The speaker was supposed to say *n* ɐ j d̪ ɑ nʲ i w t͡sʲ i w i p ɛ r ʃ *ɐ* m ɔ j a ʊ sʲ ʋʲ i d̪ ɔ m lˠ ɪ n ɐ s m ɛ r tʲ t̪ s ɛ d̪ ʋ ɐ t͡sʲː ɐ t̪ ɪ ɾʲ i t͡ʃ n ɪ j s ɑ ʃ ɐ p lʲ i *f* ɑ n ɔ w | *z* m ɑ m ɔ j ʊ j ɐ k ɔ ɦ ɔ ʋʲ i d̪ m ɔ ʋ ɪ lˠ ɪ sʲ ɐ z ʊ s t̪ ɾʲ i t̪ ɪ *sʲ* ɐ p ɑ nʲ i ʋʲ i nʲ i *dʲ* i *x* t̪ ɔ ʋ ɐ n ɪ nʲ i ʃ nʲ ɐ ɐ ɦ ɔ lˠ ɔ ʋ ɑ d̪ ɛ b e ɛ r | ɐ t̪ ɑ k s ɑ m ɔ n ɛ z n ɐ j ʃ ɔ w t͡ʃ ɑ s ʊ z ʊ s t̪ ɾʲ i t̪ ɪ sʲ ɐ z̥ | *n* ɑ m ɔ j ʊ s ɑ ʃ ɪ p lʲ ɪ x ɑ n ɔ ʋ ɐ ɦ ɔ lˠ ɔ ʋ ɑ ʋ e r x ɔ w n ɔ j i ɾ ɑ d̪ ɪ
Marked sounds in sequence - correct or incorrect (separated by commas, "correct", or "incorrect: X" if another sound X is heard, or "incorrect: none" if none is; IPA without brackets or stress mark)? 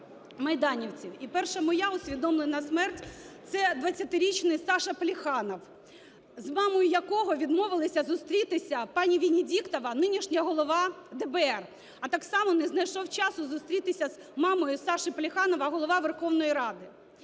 incorrect: m, correct, incorrect: x, correct, correct, correct, incorrect: k, incorrect: m